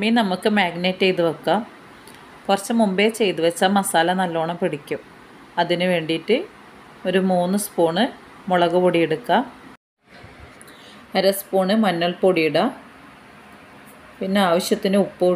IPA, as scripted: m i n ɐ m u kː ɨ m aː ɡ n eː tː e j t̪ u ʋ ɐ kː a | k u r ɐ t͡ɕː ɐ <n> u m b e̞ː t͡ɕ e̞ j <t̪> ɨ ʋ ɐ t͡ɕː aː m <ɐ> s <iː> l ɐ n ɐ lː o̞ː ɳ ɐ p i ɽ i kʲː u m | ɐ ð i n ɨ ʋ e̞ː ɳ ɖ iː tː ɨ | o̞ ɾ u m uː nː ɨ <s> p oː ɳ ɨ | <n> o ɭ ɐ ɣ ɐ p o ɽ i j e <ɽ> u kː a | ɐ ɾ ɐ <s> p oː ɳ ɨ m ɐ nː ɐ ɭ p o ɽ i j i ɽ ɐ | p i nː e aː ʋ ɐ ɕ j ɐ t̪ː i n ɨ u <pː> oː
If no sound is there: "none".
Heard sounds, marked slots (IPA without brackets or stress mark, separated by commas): m, t̪, ɐ, aː, s, m, ɽ, s, pː